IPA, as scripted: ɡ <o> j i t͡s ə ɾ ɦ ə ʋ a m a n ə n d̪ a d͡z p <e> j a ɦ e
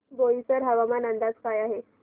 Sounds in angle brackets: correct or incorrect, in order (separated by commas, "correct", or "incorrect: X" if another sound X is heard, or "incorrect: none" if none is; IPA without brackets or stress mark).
correct, incorrect: a